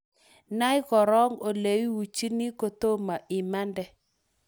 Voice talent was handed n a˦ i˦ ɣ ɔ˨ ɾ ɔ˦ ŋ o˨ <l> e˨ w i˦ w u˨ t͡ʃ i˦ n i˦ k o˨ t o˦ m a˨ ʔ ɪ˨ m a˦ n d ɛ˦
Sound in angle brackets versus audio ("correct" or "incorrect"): correct